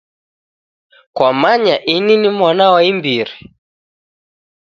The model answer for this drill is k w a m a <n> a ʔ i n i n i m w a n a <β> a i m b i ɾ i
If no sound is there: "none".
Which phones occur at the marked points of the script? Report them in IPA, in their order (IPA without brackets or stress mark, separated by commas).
ɲ, w